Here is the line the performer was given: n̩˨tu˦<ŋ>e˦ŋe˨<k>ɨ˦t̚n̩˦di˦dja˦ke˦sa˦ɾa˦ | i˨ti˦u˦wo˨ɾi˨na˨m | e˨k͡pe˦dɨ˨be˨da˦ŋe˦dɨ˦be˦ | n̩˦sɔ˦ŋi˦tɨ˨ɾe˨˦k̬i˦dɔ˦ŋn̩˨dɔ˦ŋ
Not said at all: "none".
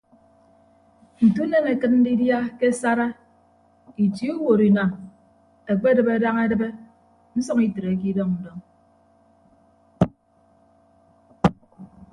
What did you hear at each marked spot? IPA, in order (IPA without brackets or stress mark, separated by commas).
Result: n, k